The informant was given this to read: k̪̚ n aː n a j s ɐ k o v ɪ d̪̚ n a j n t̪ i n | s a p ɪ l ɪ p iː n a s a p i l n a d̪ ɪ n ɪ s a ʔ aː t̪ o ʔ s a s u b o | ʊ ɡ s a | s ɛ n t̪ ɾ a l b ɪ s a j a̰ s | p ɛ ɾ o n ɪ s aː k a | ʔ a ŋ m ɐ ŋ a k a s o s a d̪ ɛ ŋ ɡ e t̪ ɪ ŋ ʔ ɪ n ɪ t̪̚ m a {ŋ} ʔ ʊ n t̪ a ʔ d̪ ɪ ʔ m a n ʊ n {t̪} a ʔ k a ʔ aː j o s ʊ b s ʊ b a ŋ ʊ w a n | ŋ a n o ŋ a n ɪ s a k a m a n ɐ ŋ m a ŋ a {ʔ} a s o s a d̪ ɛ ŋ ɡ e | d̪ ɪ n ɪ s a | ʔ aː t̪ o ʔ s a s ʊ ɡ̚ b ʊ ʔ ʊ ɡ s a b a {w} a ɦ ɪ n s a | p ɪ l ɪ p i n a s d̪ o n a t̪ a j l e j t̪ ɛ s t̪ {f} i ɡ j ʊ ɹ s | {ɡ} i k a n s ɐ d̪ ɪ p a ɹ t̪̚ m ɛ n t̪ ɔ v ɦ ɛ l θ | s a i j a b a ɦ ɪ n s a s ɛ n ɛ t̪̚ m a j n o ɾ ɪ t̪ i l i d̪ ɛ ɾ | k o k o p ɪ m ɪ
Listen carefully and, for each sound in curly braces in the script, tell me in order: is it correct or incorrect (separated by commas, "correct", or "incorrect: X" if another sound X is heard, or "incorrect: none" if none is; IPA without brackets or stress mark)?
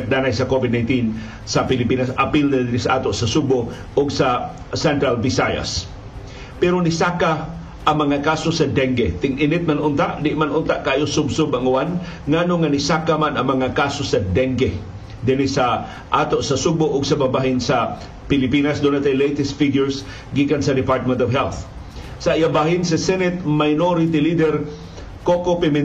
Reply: incorrect: n, correct, incorrect: k, incorrect: b, correct, correct